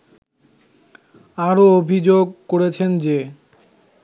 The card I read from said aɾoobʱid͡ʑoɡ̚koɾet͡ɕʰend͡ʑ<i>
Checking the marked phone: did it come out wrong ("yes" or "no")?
yes